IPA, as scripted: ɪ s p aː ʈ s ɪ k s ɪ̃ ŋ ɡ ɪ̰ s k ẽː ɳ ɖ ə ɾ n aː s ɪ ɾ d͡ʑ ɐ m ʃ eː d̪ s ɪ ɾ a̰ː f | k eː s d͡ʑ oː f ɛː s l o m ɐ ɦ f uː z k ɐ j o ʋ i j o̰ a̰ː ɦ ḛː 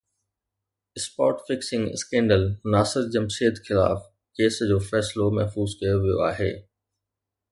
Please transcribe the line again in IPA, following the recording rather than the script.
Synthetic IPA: ɪ s p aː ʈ f ɪ k s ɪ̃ ŋ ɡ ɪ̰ s k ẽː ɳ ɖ ə l n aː s ɪ ɾ d͡ʑ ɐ m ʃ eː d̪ x ɪ l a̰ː f | k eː s d͡ʑ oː f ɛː s l o m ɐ ɦ f uː z k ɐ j o ʋ i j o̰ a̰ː ɦ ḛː